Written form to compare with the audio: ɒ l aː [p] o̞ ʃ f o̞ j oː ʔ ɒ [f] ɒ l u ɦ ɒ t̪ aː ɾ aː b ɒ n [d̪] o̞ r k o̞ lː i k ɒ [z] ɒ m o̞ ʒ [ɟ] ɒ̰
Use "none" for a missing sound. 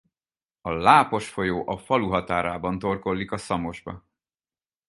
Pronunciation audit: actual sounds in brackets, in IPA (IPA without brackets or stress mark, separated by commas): p, f, t̪, s, b